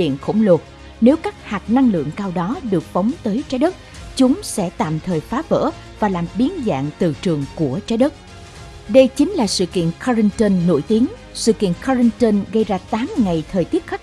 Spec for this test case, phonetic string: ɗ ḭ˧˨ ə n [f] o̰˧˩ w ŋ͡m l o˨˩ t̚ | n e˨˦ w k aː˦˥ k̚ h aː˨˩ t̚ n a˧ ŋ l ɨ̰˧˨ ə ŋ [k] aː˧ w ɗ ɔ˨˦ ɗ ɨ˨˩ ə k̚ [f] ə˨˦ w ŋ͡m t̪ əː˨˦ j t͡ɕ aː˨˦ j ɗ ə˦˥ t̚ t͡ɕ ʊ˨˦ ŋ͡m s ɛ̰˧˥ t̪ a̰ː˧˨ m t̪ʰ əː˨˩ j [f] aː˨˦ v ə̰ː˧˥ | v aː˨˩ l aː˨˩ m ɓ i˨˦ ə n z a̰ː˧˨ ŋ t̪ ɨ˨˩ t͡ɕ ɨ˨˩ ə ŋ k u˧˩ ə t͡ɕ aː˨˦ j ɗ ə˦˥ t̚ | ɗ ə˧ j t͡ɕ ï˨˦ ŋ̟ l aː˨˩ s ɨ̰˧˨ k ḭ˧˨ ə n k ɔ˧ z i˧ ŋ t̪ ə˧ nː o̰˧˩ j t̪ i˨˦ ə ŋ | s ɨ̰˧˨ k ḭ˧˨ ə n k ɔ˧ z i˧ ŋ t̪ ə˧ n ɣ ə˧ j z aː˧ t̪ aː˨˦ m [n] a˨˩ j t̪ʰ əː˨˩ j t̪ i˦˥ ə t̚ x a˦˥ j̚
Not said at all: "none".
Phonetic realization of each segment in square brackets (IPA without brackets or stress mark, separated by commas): x, k, f, f, ŋ